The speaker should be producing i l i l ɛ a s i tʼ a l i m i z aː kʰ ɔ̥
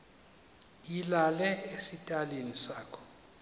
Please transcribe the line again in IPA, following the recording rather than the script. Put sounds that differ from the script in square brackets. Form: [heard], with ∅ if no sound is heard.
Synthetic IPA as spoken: i l [a] l ɛ [e] s i tʼ a l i [n] i [s] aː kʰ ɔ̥